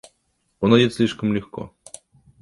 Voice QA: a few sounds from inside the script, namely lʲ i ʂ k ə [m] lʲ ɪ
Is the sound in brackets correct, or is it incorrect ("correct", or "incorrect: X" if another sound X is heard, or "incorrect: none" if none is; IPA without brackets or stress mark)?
correct